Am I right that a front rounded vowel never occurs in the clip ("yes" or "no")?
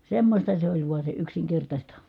no